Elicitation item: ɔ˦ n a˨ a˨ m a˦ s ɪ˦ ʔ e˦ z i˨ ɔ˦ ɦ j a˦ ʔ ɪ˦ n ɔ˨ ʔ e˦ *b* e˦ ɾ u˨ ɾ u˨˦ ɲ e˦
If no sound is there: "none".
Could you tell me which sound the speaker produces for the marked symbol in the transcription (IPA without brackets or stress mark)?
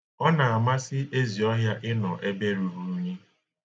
b